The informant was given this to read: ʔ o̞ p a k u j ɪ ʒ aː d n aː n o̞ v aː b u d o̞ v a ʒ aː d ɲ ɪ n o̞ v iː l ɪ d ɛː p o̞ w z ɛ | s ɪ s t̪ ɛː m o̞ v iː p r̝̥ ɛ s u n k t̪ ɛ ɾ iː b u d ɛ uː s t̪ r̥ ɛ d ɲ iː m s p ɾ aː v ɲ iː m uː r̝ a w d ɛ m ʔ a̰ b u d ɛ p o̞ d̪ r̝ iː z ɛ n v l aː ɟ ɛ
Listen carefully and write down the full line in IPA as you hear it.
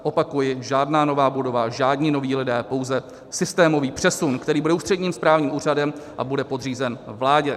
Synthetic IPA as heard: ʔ o̞ p a k u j ɪ ʒ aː d n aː n o̞ v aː b u d o̞ v a ʒ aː d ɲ ɪ n o̞ v iː l ɪ d ɛː p o̞ w z ɛ | s ɪ s t̪ ɛː m o̞ v iː p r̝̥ ɛ s u n k t̪ ɛ ɾ iː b u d ɛ uː s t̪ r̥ ɛ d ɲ iː m s p ɾ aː v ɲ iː m uː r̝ a d ɛ m ʔ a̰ b u d ɛ p o̞ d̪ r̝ iː z ɛ n v l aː ɟ ɛ